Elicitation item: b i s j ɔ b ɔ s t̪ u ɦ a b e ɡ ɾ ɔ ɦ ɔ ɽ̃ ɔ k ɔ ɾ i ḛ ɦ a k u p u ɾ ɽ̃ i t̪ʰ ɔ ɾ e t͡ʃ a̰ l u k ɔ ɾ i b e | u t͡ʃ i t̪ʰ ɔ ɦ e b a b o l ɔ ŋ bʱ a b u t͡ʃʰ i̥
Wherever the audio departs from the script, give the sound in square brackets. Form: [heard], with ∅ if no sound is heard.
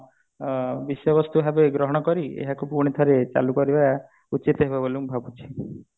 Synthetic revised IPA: b i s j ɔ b ɔ s t̪ u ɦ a b e ɡ ɾ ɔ ɦ ɔ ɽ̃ ɔ k ɔ ɾ i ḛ ɦ a k u p u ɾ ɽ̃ i t̪ʰ ɔ ɾ e t͡ʃ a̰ l u k ɔ ɾ i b [a] | u t͡ʃ i [t̪] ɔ ɦ e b a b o l [u] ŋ bʱ a b u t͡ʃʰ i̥